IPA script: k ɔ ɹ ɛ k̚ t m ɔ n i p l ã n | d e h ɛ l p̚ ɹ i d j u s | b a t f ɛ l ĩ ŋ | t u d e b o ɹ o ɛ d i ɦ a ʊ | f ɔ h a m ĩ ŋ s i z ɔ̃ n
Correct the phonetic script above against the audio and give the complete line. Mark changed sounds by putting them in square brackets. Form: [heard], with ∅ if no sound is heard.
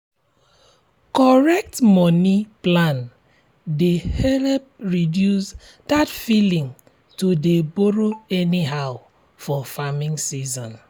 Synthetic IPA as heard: k ɔ ɹ ɛ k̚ t m ɔ n i p l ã n | d e h ɛ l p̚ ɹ i d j u s | [d] a t f [i] l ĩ ŋ | t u d e b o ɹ o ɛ [n] i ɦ a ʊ | f ɔ [f] a m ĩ ŋ s i z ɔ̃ n